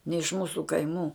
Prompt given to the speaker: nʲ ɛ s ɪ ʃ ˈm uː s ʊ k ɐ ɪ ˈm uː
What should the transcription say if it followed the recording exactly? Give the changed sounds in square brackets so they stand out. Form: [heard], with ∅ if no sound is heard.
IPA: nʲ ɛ [∅] ɪ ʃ ˈm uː s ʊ k ɐ ɪ ˈm uː